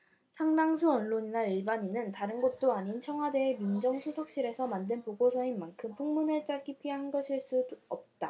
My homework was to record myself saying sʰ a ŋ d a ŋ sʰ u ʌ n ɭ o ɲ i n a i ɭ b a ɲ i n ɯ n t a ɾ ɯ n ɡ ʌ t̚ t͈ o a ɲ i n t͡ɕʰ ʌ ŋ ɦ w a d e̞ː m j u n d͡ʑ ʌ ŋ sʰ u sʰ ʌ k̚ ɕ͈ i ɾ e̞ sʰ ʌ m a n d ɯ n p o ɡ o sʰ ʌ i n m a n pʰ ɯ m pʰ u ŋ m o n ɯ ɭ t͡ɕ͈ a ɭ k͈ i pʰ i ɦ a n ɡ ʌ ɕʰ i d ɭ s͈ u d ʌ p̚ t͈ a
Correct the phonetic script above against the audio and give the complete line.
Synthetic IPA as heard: sʰ a ŋ d a ŋ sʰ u ʌ n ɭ o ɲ i n a i ɭ b a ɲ i n ɯ n t a ɾ ɯ n ɡ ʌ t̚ t͈ o a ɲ i n t͡ɕʰ ʌ ŋ ɦ w a d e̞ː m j u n d͡ʑ ʌ ŋ sʰ u sʰ ʌ k̚ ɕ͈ i ɾ e̞ sʰ ʌ m a n d ɯ n p o ɡ o sʰ ʌ i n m a n kʰ ɯ m pʰ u ŋ m u n ɯ ɭ t͡ɕ͈ a ɭ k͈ i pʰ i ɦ a n ɡ ʌ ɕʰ i ɭ s͈ u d ʌ p̚ t͈ a